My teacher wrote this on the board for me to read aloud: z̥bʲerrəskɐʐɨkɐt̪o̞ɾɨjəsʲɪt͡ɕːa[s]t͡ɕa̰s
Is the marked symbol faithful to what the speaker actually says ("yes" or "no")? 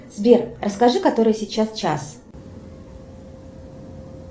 yes